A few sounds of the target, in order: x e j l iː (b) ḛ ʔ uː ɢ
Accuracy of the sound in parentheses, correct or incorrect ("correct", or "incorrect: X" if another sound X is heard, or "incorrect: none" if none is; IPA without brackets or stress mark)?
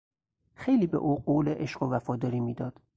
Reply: correct